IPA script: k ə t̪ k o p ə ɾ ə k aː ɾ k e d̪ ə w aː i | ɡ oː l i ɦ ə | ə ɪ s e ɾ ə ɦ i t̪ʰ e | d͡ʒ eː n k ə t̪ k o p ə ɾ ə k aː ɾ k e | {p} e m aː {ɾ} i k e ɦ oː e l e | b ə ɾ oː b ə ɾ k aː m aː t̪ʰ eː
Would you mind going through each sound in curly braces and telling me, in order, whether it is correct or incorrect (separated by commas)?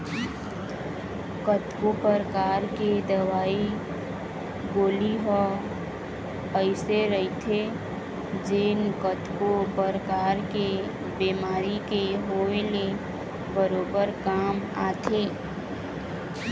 incorrect, correct